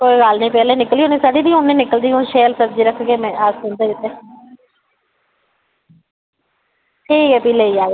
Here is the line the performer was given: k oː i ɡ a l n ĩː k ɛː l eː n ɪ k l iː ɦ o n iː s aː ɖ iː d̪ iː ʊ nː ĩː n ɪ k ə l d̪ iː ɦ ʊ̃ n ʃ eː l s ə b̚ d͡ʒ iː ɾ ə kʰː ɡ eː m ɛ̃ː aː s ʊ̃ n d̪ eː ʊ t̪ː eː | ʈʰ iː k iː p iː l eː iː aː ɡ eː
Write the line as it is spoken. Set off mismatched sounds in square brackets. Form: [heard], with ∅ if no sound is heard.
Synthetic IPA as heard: k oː i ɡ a l n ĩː [p] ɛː l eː n ɪ k l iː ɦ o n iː s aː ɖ iː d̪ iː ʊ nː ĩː n ɪ k ə l d̪ iː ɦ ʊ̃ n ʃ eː l s ə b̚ d͡ʒ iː ɾ ə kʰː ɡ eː m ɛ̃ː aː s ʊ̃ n d̪ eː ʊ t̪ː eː | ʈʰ iː k [ɛː] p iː l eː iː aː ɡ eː